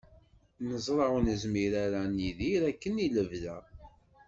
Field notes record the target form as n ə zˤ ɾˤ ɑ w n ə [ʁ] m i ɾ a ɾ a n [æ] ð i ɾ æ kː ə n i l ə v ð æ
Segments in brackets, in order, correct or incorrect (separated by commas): incorrect, incorrect